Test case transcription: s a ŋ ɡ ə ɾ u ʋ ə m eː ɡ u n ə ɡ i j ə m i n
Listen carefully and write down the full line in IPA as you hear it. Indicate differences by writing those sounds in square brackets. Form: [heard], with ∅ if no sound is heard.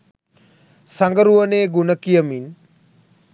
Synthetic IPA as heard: s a ŋ ɡ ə ɾ u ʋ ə [n] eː ɡ u n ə [k] i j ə m i n